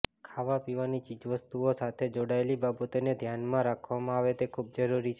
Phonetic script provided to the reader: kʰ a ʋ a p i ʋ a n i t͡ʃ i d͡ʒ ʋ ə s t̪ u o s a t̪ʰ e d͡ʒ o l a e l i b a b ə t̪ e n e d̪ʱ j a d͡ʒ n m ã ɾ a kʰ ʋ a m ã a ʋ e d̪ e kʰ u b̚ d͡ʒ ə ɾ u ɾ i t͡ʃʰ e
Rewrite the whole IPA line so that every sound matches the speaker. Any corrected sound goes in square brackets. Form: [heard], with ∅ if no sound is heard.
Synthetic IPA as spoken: kʰ a ʋ a p i ʋ a n i t͡ʃ i d͡ʒ ʋ ə s t̪ u o s a t̪ʰ e d͡ʒ o [ɽ] a e l i b a b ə t̪ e n e d̪ʱ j a [∅] n m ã ɾ a kʰ ʋ a m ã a ʋ e [t̪] e kʰ u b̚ d͡ʒ ə ɾ u ɾ i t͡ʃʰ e